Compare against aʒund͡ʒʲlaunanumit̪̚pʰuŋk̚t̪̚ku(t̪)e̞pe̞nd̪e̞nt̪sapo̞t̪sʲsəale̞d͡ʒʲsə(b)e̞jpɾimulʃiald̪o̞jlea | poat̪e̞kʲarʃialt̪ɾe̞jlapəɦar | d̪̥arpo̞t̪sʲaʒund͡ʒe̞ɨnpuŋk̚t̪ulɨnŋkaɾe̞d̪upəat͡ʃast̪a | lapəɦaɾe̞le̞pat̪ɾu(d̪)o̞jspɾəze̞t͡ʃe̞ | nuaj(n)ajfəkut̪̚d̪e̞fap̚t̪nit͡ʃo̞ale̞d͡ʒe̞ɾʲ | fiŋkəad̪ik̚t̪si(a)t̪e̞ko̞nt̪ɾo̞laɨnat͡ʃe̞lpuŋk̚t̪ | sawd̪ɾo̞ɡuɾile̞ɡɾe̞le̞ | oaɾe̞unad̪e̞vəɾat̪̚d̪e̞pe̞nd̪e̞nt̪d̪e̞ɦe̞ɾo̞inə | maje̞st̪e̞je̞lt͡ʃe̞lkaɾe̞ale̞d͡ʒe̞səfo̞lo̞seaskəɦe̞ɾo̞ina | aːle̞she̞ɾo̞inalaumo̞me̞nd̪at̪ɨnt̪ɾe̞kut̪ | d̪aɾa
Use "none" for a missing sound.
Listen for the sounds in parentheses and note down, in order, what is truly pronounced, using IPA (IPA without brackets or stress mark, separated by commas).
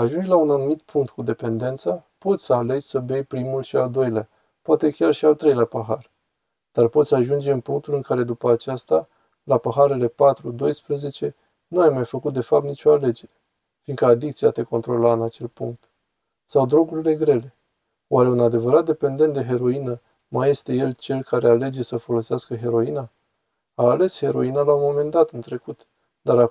d̪, b, d̪, m, a